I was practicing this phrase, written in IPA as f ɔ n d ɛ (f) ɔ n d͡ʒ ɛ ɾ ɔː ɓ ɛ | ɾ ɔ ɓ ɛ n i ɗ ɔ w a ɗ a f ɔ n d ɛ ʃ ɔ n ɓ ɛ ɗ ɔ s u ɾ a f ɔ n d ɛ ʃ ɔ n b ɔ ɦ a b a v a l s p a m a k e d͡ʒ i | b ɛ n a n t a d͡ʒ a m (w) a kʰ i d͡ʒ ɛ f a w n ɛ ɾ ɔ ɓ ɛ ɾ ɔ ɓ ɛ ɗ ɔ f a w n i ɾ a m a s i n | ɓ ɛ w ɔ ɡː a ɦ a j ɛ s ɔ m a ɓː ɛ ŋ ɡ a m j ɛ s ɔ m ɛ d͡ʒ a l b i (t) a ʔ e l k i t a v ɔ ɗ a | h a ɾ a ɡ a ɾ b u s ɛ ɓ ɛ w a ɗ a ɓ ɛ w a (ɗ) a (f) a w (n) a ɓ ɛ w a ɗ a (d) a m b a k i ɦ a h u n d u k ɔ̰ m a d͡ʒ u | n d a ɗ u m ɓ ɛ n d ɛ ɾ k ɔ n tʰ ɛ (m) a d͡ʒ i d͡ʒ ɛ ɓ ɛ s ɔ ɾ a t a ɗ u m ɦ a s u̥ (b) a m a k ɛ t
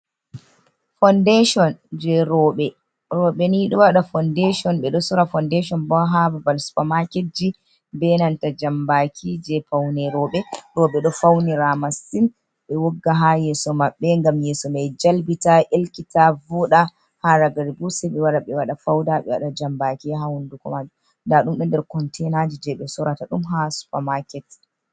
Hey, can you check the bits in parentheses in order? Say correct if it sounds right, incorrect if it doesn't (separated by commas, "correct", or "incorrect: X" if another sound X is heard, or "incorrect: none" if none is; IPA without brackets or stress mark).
incorrect: ʃ, incorrect: b, correct, correct, correct, incorrect: d, incorrect: d͡ʒ, incorrect: n, incorrect: p